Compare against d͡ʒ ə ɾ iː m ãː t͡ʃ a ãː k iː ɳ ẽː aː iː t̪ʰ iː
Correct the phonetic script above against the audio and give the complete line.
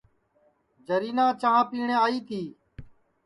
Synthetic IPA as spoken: d͡ʒ ə ɾ iː n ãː t͡ʃ a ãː p iː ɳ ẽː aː iː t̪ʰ iː